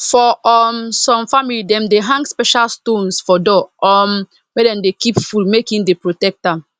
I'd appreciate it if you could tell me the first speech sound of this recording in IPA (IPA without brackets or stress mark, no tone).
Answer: f